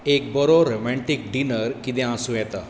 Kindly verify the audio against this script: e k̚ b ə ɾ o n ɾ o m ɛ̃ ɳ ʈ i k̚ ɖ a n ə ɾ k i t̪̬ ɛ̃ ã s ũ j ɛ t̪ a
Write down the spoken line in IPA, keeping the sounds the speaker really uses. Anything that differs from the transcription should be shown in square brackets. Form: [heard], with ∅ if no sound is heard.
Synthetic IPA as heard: e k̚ b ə ɾ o [∅] ɾ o m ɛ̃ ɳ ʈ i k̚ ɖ [i] n ə ɾ k i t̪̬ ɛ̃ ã s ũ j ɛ t̪ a